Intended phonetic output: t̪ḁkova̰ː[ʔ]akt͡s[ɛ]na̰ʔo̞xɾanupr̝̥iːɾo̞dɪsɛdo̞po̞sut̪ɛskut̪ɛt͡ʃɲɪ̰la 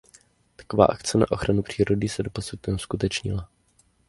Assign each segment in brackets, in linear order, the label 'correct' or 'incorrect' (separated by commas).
correct, correct